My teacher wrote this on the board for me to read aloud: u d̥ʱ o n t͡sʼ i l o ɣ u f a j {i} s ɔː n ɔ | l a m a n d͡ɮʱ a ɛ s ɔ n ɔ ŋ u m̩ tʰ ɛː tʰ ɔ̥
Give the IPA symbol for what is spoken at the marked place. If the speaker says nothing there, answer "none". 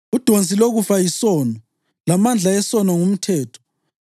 i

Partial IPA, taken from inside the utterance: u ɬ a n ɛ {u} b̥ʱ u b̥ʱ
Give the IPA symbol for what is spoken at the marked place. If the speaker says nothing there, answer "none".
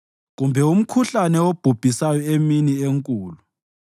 o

